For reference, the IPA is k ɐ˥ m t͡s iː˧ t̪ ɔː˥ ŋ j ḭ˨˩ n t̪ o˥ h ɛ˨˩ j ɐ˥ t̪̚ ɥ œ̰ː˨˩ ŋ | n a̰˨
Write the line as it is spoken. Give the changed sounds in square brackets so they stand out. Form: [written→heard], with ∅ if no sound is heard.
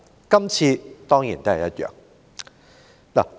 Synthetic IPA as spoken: k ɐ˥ m [t͡s→t͡sʰ] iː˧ t̪ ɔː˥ ŋ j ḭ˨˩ n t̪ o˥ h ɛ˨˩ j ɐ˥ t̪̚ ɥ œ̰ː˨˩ ŋ | n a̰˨